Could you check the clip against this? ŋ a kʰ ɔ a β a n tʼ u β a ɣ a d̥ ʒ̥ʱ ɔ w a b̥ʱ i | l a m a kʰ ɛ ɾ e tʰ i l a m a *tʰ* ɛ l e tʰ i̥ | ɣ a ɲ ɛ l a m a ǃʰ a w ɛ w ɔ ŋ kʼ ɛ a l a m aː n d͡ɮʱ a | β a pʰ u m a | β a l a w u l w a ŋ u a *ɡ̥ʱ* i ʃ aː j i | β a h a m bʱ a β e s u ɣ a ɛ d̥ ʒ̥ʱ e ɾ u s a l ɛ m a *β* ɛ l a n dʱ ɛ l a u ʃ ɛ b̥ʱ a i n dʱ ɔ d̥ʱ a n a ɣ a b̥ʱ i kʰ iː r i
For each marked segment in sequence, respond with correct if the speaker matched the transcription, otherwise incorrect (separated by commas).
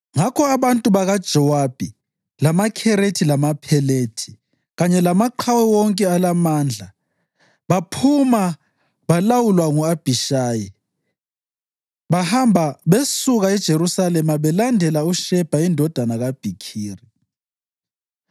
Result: incorrect, incorrect, correct